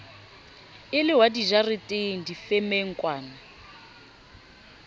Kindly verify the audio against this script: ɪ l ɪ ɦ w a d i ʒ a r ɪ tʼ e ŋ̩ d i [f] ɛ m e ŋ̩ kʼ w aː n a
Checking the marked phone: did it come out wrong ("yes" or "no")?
no